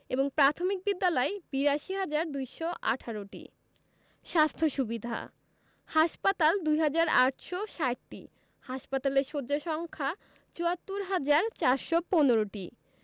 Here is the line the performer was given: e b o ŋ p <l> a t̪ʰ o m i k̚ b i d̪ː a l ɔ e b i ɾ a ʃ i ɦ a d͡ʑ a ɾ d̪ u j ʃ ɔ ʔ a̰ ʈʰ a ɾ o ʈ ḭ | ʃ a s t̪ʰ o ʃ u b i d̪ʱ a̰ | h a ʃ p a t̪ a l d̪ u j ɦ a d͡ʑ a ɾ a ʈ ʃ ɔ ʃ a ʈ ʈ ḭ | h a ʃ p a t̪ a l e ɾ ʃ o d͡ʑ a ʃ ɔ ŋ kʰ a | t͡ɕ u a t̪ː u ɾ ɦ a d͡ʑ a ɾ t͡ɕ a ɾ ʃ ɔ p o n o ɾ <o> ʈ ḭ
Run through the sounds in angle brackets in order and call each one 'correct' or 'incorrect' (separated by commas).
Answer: incorrect, correct